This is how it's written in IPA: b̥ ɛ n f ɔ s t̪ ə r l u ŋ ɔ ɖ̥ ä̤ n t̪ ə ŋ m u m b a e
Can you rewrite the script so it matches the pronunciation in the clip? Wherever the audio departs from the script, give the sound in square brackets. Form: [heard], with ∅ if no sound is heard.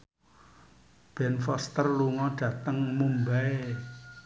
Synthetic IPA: b̥ ɛ n f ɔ s t̪ ə r l u ŋ ɔ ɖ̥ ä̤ [∅] t̪ ə ŋ m u m b a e